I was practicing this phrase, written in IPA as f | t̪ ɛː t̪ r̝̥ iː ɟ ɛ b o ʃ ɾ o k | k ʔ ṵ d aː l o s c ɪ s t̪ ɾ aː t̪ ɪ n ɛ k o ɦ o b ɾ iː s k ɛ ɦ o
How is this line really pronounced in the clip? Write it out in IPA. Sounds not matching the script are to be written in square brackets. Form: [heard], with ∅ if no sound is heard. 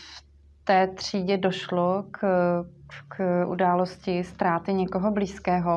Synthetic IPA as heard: f | t̪ ɛː t̪ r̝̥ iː ɟ ɛ [d] o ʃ [l] o k | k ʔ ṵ d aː l o s c ɪ s t̪ ɾ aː t̪ ɪ [ɲ] ɛ k o ɦ o b [l] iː s k [ɛː] ɦ o